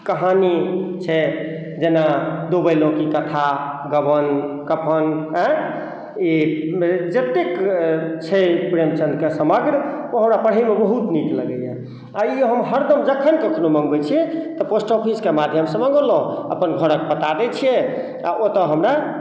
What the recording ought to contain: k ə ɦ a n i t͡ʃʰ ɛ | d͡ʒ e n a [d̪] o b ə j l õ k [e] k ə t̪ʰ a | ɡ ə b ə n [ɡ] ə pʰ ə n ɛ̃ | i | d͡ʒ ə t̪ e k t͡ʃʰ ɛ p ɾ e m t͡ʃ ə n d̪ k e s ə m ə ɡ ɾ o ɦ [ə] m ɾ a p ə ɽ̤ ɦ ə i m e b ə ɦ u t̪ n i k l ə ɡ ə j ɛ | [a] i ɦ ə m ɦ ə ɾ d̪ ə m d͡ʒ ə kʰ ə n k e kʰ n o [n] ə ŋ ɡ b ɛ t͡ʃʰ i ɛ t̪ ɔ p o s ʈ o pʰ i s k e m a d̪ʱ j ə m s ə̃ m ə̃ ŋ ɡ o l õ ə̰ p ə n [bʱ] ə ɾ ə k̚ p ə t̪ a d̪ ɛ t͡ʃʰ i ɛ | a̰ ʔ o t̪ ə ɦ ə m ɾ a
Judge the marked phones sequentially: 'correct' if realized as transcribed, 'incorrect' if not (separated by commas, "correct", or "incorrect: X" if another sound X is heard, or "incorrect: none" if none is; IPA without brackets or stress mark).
correct, incorrect: i, incorrect: k, correct, correct, incorrect: m, incorrect: ɡʱ